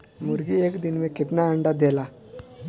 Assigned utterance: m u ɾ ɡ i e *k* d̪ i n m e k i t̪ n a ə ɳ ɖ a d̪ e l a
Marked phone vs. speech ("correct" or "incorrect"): correct